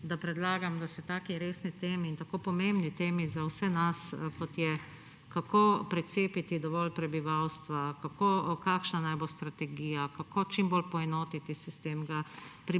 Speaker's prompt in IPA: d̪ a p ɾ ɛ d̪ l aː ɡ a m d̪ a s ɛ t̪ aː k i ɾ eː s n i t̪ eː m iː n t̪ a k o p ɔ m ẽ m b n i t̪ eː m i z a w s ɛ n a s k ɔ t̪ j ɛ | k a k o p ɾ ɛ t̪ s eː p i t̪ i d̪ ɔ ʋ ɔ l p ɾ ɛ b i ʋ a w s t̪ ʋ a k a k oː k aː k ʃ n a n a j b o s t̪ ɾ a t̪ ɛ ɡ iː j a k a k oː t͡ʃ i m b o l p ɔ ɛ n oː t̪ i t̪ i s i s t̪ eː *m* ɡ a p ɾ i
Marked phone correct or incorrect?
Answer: correct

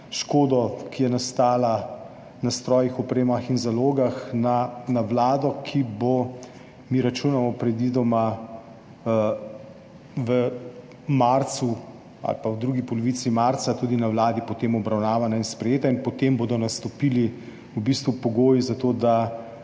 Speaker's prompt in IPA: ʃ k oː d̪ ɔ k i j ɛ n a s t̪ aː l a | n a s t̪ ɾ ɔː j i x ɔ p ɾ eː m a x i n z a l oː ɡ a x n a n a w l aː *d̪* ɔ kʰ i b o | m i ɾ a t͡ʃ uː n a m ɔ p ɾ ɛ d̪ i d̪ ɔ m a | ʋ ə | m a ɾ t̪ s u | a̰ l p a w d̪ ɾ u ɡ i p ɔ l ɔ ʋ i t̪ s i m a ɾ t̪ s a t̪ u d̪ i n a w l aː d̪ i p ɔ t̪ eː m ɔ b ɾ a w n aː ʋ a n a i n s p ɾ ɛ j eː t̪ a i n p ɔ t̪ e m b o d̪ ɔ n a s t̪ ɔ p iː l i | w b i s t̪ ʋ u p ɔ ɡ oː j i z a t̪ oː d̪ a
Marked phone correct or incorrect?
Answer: correct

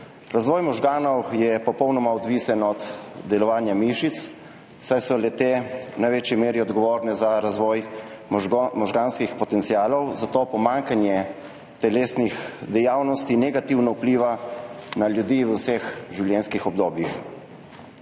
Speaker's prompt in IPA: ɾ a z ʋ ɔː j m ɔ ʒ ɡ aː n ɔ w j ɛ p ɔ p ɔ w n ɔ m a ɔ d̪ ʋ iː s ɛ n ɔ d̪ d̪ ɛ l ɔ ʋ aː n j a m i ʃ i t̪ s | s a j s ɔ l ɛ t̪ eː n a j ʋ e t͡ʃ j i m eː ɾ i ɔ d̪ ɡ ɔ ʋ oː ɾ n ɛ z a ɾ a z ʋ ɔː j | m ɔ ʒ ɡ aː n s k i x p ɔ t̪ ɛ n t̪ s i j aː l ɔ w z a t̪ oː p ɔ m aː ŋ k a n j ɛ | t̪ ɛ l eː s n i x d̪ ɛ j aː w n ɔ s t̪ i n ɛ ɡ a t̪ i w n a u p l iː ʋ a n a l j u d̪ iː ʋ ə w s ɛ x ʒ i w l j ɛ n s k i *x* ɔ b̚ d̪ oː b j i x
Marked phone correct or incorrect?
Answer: correct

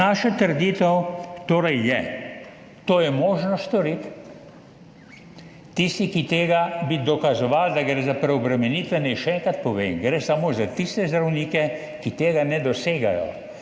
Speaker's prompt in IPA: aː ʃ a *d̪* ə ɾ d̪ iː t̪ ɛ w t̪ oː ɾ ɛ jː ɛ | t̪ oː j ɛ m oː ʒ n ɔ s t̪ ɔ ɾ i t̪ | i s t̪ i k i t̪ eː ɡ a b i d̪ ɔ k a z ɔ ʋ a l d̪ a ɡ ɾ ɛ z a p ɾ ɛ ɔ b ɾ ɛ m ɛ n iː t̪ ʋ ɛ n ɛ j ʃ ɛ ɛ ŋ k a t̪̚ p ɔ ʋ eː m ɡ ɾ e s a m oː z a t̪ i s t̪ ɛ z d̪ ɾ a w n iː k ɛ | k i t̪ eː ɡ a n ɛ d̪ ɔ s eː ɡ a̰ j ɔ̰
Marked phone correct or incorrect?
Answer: incorrect: t̪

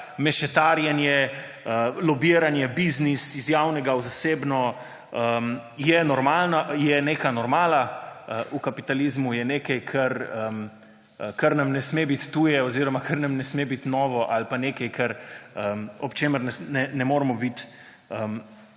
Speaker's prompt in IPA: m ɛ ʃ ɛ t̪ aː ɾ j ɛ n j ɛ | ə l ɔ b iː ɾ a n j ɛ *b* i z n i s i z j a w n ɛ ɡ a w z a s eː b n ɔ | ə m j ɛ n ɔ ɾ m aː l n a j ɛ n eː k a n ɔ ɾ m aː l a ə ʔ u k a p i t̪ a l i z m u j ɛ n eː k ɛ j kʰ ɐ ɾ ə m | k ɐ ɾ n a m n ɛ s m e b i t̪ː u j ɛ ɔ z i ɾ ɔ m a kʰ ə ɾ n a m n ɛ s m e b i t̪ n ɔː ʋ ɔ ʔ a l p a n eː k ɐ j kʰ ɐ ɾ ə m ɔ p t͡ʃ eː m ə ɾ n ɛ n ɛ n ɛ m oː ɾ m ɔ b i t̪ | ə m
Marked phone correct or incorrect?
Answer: correct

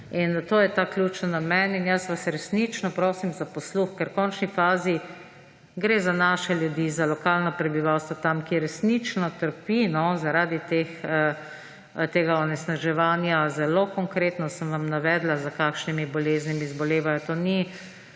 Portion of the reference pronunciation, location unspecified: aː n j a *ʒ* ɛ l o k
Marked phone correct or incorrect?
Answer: incorrect: z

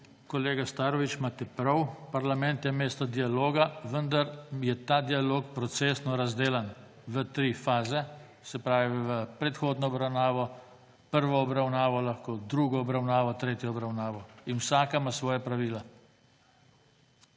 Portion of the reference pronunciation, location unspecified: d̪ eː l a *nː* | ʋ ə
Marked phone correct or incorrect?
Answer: incorrect: n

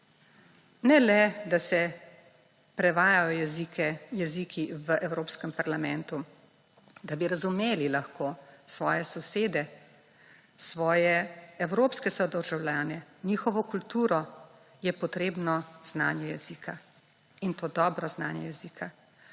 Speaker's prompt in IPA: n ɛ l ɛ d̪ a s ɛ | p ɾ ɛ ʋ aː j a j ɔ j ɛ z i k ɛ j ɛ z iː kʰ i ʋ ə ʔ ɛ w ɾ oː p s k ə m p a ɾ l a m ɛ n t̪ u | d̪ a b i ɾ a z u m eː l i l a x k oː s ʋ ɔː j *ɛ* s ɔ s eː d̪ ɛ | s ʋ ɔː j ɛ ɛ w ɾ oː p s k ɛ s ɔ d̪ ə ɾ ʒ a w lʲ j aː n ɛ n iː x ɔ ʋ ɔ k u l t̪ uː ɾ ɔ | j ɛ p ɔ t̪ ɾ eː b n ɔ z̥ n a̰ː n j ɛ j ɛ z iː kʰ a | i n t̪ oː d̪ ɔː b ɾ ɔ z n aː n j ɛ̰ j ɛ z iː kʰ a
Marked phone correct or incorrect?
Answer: correct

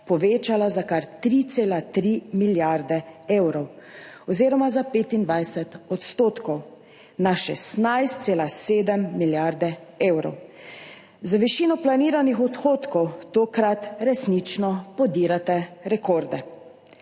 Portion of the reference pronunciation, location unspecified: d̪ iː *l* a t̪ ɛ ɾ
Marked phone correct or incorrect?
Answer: incorrect: ɾ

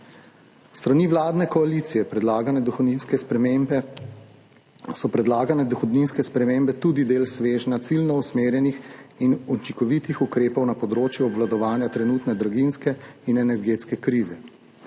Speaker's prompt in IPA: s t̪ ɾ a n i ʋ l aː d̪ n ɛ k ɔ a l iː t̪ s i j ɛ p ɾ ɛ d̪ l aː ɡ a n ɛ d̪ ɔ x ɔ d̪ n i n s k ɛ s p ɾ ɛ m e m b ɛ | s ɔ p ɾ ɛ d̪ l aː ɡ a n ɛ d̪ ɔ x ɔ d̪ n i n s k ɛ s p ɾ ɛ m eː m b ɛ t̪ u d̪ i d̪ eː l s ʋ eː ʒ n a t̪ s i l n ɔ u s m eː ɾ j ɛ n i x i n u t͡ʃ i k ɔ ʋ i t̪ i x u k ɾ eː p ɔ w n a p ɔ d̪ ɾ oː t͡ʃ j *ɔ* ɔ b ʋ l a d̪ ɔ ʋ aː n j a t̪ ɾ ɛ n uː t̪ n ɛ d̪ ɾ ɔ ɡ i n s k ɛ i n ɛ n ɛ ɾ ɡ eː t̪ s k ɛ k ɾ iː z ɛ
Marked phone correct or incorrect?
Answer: incorrect: u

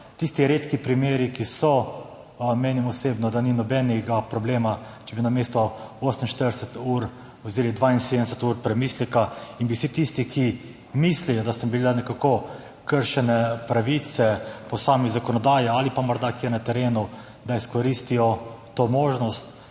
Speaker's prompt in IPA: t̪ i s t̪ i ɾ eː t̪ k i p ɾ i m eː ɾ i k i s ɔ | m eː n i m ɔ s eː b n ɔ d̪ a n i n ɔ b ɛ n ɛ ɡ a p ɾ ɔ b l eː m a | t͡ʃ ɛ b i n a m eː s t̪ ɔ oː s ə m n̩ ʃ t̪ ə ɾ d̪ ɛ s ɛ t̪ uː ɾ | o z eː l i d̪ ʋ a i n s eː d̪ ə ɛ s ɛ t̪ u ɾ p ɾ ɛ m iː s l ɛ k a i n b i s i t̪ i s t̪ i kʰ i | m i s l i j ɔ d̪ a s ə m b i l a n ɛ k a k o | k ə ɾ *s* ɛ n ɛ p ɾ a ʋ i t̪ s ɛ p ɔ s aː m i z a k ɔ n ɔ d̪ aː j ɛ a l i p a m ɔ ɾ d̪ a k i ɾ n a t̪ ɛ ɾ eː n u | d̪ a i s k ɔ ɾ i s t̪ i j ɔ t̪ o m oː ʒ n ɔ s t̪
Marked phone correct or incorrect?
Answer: incorrect: ʃ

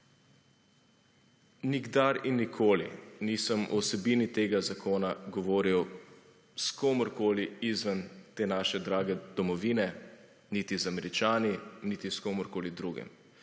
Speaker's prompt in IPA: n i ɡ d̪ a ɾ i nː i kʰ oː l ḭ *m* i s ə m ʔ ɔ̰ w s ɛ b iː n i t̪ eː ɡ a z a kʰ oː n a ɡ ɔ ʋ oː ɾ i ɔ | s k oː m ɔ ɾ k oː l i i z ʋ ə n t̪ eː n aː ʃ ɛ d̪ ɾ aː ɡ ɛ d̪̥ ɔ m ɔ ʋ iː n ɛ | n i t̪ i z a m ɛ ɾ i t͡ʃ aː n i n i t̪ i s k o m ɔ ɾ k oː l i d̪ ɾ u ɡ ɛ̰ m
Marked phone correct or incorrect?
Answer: incorrect: n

